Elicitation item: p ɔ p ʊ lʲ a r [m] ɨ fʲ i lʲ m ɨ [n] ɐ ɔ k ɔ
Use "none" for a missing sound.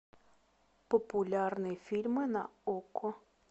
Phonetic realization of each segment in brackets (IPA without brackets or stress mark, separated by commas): n, n